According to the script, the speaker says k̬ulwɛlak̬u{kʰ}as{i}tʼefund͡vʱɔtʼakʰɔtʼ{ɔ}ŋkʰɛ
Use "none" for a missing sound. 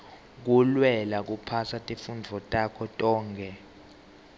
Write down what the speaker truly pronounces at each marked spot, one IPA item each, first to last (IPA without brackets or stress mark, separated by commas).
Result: pʰ, a, ɔː